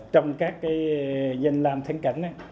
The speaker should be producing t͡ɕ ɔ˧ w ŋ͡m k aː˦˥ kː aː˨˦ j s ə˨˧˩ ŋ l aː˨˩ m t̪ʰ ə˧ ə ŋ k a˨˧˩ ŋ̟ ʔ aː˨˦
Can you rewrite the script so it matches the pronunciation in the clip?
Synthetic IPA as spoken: t͡ɕ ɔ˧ w ŋ͡m k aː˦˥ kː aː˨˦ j z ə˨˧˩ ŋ l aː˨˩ m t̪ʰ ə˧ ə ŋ k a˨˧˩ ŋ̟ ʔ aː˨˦